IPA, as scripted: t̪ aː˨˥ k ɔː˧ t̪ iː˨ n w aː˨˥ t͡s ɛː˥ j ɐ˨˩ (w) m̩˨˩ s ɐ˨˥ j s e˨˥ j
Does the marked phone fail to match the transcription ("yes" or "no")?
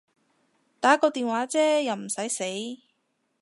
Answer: no